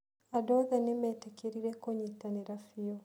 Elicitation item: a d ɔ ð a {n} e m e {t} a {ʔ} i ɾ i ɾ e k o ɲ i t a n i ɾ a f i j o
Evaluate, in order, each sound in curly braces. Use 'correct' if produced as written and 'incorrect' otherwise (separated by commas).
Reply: correct, correct, incorrect